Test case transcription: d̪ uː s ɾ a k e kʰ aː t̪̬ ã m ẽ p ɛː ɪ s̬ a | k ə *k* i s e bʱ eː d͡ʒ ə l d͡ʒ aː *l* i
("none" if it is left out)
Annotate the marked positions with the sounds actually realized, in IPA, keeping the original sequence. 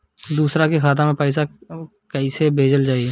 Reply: none, none

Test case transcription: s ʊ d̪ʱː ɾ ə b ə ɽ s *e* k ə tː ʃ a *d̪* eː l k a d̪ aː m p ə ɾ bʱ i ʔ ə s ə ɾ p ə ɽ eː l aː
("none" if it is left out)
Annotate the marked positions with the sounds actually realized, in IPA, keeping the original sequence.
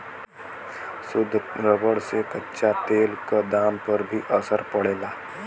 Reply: e, t̪

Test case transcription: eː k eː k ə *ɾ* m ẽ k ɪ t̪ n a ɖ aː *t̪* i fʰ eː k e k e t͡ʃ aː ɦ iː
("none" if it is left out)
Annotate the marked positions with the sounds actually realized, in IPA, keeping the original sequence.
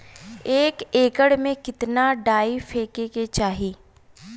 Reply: ɽ, none

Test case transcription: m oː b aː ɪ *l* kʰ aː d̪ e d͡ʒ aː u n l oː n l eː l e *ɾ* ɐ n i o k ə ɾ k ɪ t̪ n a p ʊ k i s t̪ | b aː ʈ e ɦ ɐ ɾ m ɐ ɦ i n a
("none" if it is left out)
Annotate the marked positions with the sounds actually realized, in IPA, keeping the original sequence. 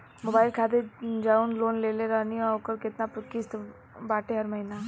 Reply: l, ɾ

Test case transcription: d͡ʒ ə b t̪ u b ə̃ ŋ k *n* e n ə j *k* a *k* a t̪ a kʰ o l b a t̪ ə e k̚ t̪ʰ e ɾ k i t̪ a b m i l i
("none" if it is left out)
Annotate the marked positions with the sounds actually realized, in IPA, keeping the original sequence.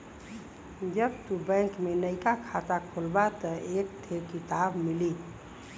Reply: m, k, kʰ

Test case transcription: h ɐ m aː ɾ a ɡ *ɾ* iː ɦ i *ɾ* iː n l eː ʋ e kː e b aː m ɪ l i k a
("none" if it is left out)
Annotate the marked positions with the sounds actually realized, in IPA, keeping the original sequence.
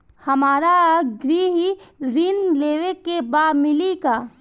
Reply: ɾ, ɾ

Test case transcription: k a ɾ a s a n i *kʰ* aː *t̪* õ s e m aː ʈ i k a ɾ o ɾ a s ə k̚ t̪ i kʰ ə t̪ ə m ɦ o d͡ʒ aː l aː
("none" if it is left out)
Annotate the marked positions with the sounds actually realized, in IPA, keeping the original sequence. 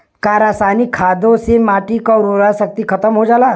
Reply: kʰ, d̪

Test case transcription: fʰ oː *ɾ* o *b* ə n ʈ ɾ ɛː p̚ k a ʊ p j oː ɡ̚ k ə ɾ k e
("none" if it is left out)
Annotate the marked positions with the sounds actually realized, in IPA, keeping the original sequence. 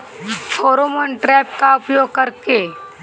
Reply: ɾ, m

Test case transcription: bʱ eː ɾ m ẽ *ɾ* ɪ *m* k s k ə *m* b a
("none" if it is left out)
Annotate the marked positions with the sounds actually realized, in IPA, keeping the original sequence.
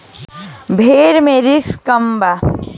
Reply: ɾ, none, m

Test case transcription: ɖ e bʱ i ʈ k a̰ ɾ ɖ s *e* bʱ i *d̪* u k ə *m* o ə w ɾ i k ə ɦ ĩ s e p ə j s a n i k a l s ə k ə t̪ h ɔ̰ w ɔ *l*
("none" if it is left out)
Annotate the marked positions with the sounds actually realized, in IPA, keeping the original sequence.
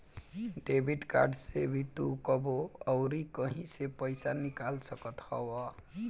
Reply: e, t̪, b, none

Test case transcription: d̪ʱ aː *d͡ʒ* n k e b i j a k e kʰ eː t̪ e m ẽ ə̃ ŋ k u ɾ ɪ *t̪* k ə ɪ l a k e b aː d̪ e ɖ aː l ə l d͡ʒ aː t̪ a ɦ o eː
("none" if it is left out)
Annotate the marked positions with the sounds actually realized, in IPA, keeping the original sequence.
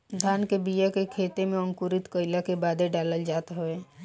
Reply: none, t̪

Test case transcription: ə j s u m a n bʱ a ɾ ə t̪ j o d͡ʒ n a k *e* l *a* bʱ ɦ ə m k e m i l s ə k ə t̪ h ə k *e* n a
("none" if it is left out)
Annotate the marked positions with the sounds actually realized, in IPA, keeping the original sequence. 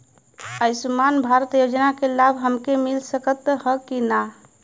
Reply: e, a, i

